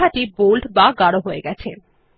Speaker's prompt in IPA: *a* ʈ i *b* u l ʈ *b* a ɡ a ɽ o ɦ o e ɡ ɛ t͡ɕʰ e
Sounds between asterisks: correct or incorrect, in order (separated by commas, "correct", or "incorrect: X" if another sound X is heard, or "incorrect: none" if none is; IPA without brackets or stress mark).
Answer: correct, correct, correct